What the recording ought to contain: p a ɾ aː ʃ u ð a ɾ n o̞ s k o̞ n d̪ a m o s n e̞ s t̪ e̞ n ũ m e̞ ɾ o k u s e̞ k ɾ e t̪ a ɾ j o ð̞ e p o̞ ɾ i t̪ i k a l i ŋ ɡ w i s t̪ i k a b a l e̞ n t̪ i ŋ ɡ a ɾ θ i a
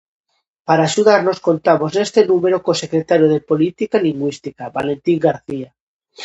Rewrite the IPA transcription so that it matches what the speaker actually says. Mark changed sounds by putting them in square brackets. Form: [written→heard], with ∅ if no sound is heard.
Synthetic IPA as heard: p a ɾ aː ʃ u ð a ɾ n o̞ s k o̞ n [d̪→t̪] a m o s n e̞ s t̪ e̞ n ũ m e̞ ɾ o k [u→o] s e̞ k ɾ e t̪ a ɾ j o ð̞ e p o̞ [ɾ→l] i t̪ i k a l i ŋ ɡ w i s t̪ i k a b a l e̞ n t̪ i ŋ ɡ a ɾ θ i a